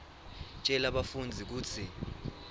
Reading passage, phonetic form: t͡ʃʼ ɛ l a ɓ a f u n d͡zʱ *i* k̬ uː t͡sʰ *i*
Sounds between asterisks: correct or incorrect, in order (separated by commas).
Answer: correct, correct